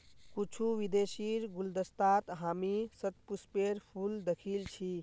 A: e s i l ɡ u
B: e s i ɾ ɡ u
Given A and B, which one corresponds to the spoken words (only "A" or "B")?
B